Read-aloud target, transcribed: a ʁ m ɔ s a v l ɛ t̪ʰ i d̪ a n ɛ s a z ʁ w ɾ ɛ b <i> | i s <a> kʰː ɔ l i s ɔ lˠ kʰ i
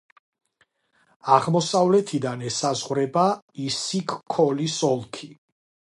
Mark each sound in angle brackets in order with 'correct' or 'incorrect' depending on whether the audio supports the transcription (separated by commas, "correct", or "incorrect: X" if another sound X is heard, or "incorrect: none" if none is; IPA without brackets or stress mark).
incorrect: a, incorrect: i